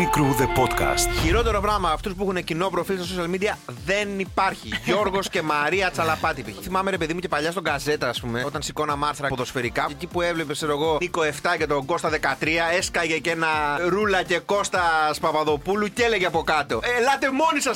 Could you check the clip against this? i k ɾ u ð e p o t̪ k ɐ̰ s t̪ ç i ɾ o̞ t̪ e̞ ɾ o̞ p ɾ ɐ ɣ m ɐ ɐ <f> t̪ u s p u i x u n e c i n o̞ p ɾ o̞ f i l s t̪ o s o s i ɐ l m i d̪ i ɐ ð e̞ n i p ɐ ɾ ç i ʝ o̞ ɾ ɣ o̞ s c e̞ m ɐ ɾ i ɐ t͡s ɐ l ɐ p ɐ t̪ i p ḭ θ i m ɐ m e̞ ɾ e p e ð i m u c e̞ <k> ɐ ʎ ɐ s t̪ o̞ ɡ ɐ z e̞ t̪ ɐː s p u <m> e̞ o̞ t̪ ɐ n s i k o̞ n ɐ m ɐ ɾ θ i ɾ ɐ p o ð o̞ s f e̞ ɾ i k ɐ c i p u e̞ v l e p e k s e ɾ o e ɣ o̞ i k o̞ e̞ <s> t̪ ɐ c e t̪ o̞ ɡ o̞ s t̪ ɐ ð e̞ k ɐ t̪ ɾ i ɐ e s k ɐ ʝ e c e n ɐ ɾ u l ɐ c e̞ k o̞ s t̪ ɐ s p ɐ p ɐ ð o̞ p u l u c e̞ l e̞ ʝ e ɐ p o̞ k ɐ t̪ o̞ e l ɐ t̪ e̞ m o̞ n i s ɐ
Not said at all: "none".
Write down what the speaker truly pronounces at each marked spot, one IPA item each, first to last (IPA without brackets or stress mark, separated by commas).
f, p, m, f